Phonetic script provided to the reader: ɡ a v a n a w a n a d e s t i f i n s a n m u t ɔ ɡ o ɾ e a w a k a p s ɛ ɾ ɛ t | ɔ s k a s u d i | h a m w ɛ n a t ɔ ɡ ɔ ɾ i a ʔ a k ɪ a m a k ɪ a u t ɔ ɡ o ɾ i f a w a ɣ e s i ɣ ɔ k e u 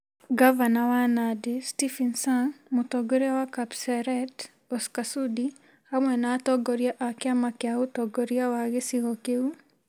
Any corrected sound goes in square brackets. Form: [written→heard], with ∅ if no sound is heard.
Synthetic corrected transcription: ɡ a v a n a w a n a d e s t i f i n s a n m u t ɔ ɡ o ɾ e a w a k a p s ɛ ɾ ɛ t | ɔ s k a s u d i | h a m w ɛ n a t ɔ ɡ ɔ ɾ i a ʔ a k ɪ a m a k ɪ a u t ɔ ɡ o ɾ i [f→∅] a w a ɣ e s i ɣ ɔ k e u